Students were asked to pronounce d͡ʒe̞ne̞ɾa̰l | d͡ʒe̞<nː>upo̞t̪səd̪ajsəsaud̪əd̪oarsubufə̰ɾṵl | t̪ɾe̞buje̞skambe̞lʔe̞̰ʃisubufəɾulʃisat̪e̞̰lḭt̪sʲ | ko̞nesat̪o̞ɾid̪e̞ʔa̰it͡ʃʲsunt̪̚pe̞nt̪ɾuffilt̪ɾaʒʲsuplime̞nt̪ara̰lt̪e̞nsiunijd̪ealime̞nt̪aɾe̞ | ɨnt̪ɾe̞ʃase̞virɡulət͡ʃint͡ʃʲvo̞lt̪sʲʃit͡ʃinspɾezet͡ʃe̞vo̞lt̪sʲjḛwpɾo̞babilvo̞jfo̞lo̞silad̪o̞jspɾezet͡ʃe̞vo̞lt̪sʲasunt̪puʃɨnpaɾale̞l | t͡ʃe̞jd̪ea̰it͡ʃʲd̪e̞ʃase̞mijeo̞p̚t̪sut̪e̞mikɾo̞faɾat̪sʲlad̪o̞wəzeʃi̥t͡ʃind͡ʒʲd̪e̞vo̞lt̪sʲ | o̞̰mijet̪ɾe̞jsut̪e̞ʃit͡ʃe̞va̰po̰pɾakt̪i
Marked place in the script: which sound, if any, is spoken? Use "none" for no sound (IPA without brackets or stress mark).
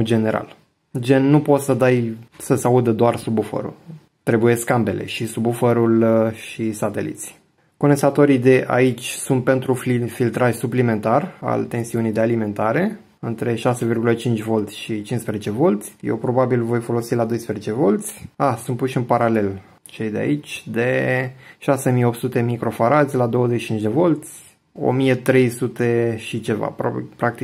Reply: nː